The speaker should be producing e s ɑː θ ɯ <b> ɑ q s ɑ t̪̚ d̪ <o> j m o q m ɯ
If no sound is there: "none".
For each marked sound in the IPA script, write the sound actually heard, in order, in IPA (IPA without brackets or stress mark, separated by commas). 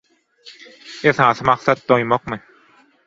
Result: m, o